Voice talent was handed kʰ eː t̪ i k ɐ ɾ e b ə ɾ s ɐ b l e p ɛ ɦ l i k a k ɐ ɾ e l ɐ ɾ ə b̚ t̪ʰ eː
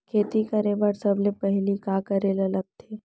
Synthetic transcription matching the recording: kʰ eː t̪ i k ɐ ɾ e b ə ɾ s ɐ b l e p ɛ ɦ l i k a k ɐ ɾ e l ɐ l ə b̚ t̪ʰ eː